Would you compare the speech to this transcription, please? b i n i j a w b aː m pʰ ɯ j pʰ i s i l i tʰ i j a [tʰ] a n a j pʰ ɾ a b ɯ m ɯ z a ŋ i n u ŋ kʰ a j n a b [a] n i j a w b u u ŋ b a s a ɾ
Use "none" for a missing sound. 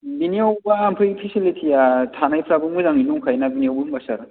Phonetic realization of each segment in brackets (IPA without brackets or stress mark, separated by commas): tʰ, i